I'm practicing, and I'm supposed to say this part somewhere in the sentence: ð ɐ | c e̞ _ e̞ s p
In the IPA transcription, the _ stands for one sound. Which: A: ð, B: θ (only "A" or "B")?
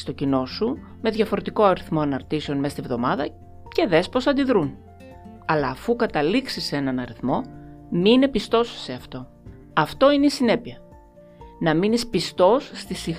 A